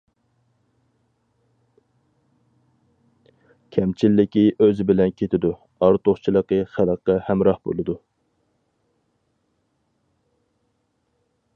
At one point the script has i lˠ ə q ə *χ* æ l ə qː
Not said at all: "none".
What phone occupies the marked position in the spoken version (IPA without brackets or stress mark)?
χ